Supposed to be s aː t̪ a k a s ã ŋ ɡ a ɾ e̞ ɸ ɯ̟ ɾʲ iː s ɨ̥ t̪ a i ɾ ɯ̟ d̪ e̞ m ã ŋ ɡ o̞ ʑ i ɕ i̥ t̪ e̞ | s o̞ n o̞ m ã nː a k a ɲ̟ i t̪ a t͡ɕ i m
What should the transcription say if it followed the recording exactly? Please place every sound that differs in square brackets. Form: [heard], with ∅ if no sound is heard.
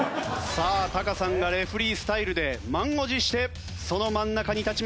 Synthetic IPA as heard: s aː t̪ a k a s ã ŋ ɡ a ɾ e̞ ɸ ɯ̟ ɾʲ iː s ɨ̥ t̪ a i ɾ ɯ̟ d̪ e̞ m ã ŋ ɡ o̞ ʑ i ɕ i̥ t̪ e̞ | s o̞ n o̞ m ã nː a k a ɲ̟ i t̪ a t͡ɕ i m